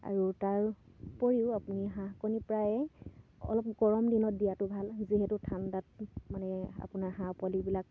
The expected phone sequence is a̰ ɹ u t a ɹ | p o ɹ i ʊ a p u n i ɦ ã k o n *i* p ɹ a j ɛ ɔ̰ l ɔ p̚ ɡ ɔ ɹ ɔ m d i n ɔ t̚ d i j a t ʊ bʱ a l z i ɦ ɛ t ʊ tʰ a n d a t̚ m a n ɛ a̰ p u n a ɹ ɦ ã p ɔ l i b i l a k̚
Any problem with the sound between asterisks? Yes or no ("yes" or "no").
no